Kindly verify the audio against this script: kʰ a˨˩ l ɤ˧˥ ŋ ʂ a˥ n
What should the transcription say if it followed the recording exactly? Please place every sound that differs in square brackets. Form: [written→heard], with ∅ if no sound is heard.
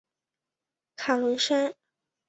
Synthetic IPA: kʰ a˨˩ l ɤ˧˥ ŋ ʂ a˥ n